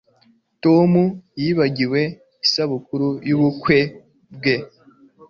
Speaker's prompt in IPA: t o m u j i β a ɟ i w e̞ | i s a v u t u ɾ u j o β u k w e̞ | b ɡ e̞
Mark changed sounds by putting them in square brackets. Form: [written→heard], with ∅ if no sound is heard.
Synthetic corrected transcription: t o m u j i β a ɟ i w e̞ | i s a [v→β] u [t→k] u ɾ u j [o→u] β u k w e̞ | b ɡ e̞